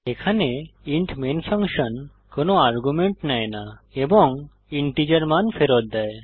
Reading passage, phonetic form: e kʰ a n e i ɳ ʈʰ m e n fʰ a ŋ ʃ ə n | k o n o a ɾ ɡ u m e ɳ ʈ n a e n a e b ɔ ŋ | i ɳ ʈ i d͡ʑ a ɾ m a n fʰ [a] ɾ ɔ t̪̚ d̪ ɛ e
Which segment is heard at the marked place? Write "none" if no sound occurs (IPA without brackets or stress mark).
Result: e